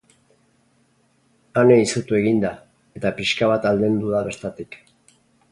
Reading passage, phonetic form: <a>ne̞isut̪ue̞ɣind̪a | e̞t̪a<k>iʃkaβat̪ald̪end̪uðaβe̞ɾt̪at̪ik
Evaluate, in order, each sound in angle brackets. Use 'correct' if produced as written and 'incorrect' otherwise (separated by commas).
correct, incorrect